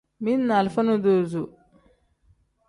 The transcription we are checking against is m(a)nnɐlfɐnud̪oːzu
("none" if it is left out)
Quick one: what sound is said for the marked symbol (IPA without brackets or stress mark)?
i